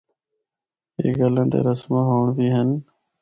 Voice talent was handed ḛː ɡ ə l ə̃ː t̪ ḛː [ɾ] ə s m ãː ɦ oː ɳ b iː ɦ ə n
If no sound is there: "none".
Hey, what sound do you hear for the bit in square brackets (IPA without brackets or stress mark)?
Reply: ɾ